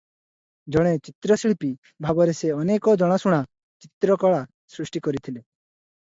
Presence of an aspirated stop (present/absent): present